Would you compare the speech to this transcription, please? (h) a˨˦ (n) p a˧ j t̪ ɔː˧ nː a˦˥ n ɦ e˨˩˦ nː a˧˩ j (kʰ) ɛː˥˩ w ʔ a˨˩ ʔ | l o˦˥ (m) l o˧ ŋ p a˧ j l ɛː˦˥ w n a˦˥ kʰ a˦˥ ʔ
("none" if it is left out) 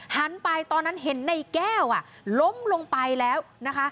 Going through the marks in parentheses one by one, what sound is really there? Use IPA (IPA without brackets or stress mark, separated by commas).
h, n, k, m